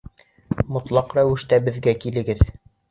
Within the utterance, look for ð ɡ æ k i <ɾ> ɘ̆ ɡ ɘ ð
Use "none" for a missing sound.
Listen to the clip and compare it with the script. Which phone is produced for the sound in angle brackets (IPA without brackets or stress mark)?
l